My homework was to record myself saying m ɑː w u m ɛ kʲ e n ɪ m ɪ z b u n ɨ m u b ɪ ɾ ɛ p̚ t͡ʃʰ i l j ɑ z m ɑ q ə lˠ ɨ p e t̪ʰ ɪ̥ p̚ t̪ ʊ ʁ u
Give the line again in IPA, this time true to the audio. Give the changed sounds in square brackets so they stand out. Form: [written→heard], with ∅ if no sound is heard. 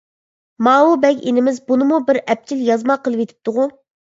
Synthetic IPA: m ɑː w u [m→b] ɛ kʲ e n ɪ m ɪ z b u n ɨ m u b ɪ ɾ ɛ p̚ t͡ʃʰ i l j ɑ z m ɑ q ə lˠ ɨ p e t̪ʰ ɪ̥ p̚ t̪ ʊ ʁ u